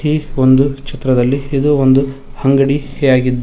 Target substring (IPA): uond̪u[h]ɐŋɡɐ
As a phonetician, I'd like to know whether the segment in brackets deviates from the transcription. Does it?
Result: no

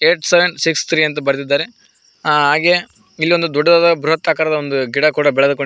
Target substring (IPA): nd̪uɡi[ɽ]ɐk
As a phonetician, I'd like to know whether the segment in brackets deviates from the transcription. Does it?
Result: no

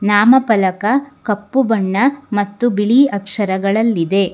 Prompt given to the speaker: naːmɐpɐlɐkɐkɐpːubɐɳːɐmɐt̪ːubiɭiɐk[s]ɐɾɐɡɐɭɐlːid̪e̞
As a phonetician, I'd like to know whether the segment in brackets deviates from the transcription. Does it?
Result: yes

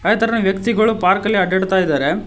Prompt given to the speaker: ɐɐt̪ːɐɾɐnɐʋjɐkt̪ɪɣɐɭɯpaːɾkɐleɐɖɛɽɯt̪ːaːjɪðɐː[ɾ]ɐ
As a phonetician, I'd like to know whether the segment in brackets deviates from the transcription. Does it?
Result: no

